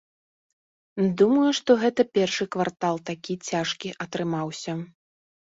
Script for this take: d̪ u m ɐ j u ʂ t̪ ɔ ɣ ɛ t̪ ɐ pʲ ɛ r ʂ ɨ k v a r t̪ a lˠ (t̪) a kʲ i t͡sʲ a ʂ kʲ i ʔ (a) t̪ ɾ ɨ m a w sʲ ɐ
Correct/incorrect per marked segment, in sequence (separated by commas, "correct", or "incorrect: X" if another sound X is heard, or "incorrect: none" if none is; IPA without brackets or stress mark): correct, incorrect: ɐ